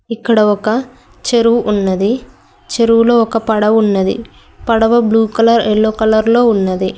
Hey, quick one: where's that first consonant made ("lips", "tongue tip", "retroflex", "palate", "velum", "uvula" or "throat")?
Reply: velum